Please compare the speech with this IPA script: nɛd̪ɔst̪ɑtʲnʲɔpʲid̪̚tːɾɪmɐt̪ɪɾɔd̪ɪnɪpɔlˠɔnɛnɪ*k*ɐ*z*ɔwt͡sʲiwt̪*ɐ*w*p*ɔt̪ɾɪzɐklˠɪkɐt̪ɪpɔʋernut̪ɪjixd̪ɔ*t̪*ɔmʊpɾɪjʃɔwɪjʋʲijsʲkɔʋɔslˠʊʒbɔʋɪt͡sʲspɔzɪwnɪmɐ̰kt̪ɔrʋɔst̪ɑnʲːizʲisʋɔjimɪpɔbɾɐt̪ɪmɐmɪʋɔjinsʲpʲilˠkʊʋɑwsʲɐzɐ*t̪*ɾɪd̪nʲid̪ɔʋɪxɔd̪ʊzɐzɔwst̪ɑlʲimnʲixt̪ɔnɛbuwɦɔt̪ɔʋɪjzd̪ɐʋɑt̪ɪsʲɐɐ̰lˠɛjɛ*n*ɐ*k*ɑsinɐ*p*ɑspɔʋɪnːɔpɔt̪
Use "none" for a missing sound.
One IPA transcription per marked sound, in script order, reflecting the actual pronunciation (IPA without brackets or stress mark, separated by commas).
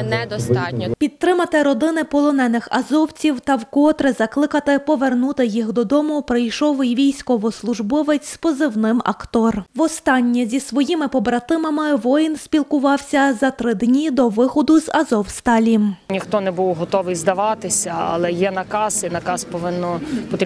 x, z, ɐ, k, d̪, t̪, n, k, k